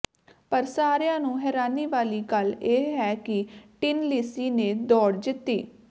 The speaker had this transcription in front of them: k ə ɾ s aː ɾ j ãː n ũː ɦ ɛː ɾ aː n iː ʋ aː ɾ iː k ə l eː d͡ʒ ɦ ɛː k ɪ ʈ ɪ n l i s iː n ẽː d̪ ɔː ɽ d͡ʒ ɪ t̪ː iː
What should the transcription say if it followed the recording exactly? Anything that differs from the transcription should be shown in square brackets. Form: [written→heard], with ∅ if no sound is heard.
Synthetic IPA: [k→p] ə ɾ s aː ɾ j ãː n ũː ɦ ɛː ɾ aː n iː ʋ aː [ɾ→l] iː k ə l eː [d͡ʒ→∅] ɦ ɛː k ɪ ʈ ɪ n l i s iː n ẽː d̪ ɔː ɽ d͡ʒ ɪ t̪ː iː